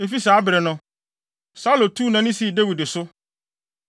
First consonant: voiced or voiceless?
voiceless